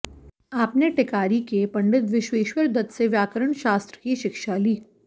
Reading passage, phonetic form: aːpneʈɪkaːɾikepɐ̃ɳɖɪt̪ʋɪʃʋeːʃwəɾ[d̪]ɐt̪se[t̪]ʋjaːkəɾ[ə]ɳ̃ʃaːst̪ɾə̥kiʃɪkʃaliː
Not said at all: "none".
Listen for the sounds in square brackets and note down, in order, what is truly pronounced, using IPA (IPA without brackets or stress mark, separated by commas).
d̪, none, ə